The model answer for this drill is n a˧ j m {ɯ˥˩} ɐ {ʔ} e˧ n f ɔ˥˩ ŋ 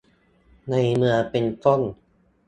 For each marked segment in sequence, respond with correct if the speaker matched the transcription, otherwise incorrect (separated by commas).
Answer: incorrect, incorrect